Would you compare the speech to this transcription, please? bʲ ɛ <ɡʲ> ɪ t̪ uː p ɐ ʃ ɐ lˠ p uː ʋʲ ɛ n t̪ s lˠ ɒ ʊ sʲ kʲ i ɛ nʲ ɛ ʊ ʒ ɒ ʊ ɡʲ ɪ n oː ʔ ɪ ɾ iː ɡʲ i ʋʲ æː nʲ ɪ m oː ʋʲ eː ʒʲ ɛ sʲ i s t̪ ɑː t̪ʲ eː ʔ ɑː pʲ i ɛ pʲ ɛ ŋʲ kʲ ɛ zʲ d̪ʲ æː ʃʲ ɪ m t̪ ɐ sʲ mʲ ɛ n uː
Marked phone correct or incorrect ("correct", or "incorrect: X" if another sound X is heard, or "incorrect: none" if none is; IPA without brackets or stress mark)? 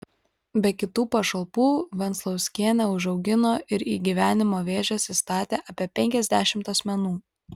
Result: incorrect: kʲ